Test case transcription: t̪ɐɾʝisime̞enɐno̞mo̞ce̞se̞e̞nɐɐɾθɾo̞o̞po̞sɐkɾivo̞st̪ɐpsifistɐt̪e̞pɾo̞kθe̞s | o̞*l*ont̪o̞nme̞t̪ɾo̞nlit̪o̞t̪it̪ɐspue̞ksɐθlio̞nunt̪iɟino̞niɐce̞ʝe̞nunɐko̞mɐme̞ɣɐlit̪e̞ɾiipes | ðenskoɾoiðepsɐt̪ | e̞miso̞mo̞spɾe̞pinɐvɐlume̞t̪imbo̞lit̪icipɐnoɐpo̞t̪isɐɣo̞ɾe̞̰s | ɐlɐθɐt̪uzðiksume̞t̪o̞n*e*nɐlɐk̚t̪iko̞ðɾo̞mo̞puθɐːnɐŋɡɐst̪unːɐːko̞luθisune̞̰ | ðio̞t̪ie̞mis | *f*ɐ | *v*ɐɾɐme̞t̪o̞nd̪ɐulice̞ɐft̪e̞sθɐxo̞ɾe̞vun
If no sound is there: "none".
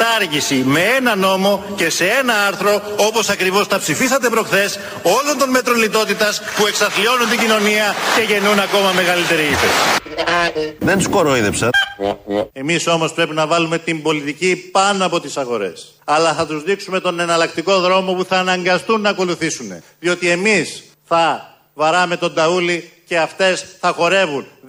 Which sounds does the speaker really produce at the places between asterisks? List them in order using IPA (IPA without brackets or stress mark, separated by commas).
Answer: l, e, θ, v